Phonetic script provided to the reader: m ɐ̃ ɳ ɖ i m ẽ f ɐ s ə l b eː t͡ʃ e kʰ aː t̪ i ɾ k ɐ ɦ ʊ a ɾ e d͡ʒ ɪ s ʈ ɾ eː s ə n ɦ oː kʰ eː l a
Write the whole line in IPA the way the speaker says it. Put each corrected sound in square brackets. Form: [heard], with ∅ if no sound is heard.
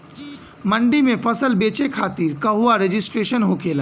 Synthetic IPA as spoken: m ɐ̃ ɳ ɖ i m ẽ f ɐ s ə l b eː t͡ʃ e kʰ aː t̪ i ɾ k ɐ ɦ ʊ a ɾ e d͡ʒ ɪ s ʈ ɾ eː [ʃ] ə n ɦ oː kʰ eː l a